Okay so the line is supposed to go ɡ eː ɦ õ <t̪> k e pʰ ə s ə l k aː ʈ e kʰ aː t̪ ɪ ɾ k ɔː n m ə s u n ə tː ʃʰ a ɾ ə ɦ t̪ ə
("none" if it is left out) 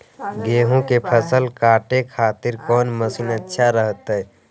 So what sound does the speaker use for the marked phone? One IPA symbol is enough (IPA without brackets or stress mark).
none